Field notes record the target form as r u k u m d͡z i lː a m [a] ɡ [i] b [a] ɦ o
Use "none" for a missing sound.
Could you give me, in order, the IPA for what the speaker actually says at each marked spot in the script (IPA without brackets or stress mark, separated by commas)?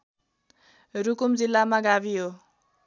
a, a, i